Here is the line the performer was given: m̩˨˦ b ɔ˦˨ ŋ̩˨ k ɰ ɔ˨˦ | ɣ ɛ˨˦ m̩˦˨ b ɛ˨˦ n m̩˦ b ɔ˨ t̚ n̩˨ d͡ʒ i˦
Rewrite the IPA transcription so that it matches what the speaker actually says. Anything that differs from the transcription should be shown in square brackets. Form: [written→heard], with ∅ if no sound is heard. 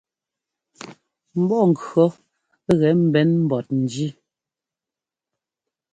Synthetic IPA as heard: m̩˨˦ b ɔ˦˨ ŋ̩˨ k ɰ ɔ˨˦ | ɣ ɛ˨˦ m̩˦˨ b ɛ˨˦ n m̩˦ b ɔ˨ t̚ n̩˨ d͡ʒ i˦